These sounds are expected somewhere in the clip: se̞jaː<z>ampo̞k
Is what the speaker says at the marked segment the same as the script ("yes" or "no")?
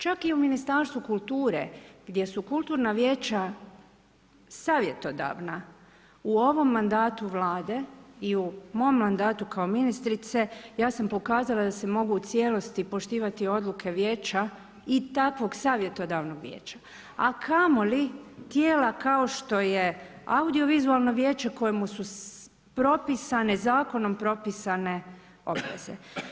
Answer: no